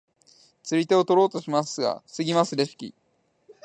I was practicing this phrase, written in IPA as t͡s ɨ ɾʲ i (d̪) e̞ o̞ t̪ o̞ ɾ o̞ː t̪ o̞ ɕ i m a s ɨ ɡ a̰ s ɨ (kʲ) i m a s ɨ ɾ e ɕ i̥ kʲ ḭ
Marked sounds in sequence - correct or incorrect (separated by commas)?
incorrect, incorrect